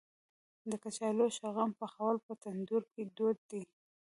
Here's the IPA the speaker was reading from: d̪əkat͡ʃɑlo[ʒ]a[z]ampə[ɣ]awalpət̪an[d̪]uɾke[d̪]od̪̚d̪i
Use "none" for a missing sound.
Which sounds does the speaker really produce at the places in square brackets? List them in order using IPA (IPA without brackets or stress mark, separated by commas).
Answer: ʃ, ɣ, x, d̪, d̪